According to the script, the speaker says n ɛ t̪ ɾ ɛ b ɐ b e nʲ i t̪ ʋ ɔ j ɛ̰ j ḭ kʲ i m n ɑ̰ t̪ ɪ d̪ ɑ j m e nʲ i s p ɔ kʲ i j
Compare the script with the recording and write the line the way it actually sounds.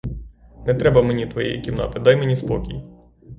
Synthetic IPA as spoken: n ɛ t̪ ɾ ɛ b ɐ m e nʲ i t̪ ʋ ɔ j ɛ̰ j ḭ kʲ i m n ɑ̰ t̪ ɪ d̪ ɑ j m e nʲ i s p ɔ kʲ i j